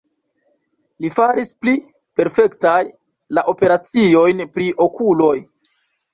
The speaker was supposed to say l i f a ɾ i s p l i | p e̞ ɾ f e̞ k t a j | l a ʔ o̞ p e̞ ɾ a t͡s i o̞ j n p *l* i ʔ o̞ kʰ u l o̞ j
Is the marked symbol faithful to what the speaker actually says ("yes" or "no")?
no